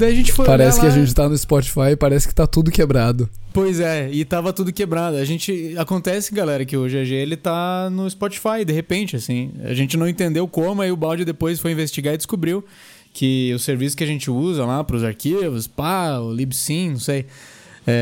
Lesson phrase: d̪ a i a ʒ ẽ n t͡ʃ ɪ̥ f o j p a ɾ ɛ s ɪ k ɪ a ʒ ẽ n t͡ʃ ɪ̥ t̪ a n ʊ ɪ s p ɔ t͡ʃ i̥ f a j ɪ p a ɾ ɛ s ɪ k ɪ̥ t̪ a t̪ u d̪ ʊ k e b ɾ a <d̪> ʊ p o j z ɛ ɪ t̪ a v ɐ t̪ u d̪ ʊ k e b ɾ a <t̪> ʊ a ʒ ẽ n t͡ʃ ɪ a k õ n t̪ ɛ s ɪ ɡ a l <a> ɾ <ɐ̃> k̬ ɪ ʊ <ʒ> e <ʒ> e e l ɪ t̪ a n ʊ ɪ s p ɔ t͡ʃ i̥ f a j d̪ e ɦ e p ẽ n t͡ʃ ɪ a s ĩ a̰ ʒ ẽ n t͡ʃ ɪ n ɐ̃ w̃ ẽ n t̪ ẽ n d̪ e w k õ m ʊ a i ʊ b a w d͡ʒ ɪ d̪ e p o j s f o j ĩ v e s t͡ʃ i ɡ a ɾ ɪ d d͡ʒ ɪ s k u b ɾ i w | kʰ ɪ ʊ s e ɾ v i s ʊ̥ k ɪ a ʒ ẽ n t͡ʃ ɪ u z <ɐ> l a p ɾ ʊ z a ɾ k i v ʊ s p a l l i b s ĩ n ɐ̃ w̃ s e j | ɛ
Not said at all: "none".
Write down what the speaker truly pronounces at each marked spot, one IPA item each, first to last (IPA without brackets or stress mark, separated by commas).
d̪, d̪, ɛ, ɐ, ʒ, ʒ, ɐ